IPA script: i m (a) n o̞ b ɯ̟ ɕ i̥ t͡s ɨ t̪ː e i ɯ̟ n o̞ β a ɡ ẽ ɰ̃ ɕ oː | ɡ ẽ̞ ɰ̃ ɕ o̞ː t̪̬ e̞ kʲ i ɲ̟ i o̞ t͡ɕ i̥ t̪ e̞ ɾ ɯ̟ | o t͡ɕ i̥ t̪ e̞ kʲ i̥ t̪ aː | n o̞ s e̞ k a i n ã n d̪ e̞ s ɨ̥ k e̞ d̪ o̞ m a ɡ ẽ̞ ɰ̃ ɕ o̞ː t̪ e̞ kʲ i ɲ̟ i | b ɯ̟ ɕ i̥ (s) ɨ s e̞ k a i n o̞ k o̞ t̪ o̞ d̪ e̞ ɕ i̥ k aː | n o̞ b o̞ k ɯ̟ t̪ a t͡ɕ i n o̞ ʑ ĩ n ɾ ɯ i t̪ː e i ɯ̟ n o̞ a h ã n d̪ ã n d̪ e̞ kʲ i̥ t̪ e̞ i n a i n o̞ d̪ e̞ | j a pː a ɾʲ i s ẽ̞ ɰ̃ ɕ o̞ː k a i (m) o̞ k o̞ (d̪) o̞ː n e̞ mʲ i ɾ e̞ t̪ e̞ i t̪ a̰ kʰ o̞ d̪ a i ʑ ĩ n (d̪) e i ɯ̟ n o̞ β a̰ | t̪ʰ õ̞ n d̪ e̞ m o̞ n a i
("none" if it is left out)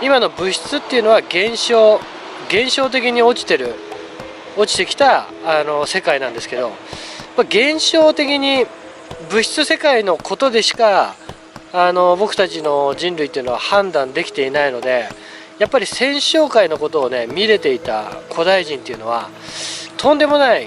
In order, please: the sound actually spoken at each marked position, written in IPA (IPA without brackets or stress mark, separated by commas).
a, t͡s, n, t̪, t̪